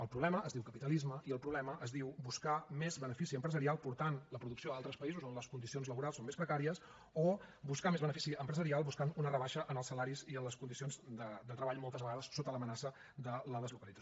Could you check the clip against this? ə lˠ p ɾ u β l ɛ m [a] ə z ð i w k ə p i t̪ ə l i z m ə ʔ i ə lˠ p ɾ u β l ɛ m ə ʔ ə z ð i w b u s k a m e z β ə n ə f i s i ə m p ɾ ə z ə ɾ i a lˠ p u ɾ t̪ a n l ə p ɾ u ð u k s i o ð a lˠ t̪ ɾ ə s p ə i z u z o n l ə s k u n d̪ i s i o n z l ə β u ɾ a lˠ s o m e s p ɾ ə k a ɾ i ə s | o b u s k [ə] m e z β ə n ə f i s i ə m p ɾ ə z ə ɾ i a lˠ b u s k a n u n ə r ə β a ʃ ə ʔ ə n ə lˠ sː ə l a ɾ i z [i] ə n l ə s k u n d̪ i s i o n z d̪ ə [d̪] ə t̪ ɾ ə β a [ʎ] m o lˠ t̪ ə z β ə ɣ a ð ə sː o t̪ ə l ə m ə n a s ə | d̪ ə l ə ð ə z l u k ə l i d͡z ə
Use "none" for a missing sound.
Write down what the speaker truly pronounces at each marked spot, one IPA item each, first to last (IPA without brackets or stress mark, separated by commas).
ə, a, i, d̪, ʎ